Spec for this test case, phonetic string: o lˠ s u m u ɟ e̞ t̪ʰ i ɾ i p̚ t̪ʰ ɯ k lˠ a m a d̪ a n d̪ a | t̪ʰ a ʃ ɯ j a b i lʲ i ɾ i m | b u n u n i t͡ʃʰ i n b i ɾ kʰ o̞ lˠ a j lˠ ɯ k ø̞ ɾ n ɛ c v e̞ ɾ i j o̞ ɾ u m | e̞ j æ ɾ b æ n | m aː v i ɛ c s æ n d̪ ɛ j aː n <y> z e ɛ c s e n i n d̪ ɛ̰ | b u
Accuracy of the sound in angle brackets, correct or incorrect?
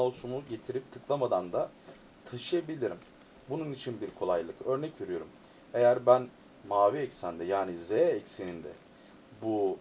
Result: incorrect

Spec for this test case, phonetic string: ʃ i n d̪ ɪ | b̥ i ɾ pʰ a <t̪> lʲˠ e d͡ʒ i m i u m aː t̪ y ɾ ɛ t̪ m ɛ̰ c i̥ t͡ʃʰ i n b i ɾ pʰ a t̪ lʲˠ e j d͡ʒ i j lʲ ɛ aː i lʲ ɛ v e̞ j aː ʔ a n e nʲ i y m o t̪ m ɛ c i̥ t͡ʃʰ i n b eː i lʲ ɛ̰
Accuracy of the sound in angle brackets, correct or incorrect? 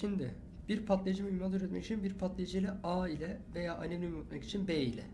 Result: correct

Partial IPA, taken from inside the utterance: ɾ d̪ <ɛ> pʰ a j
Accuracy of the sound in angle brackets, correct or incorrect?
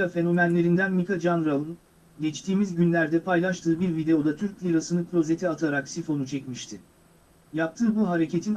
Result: correct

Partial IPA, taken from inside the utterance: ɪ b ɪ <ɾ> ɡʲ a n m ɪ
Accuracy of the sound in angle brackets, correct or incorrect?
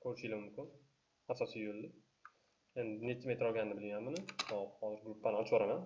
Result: incorrect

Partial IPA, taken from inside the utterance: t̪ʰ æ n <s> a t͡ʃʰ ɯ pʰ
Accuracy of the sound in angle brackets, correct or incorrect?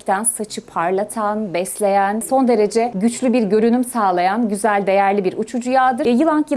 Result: correct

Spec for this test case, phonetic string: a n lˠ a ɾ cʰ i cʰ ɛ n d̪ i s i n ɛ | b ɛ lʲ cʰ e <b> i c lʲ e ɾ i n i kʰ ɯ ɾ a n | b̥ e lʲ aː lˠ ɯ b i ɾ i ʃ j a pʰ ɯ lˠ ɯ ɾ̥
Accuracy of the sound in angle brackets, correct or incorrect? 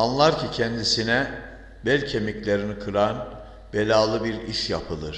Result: incorrect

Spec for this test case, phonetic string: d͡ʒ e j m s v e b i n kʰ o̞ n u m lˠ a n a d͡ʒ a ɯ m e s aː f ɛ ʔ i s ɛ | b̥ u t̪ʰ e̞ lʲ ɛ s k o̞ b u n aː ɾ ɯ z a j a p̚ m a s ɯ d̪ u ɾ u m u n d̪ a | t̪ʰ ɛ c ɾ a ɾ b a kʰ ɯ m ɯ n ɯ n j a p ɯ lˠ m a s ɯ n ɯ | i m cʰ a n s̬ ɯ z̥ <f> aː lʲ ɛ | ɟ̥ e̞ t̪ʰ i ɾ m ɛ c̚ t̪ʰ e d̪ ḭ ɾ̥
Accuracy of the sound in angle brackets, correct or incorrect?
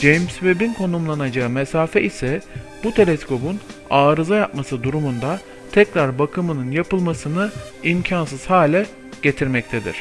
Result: incorrect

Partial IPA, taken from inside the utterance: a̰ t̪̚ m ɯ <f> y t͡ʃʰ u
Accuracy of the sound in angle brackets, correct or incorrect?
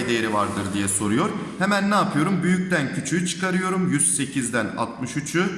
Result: incorrect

